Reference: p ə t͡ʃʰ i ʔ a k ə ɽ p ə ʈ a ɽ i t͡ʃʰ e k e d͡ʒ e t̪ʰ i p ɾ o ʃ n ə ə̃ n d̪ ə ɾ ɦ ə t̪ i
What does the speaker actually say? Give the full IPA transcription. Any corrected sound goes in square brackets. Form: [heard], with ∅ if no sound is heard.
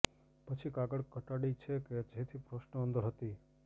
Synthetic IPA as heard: p ə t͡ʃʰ i [k] a [ɡ] ə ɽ [k] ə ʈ a ɽ i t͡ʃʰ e k e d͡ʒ e t̪ʰ i p ɾ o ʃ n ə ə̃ n d̪ ə ɾ ɦ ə t̪ i